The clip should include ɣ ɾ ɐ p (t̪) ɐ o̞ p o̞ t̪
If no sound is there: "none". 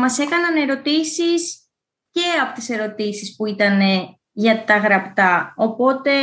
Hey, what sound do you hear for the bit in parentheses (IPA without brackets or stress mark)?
t̪